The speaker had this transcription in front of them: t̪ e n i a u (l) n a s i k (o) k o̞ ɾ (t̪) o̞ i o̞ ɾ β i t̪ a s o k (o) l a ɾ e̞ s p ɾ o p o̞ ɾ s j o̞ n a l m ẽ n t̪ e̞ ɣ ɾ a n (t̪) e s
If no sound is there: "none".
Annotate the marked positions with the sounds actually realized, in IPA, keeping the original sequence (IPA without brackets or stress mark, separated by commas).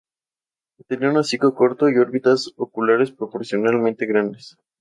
none, o, t̪, u, d̪